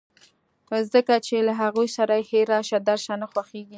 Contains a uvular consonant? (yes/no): no